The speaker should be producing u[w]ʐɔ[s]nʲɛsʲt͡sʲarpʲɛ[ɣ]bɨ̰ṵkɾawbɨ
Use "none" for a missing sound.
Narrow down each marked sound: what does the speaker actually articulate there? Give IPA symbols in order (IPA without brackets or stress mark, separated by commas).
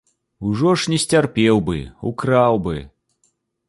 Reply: none, ʂ, w